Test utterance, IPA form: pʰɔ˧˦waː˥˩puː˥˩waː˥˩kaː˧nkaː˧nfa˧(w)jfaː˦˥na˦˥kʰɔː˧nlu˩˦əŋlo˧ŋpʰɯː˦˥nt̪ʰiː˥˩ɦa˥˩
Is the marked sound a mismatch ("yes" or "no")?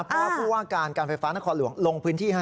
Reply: yes